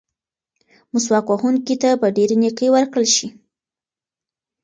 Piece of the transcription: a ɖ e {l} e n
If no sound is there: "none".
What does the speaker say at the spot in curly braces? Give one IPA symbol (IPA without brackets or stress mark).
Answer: ɾ